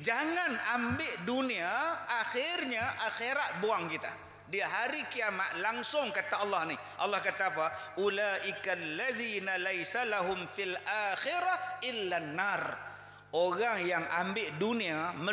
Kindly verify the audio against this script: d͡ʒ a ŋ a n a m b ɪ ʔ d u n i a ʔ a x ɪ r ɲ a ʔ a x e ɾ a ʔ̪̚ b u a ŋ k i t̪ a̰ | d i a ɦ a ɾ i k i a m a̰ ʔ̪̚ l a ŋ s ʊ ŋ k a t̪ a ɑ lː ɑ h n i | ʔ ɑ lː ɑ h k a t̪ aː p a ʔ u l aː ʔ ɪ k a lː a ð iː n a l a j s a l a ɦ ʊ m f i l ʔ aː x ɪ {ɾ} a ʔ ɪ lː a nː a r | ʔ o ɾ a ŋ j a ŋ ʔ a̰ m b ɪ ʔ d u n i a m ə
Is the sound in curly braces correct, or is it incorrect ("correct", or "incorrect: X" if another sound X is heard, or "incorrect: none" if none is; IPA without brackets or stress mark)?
correct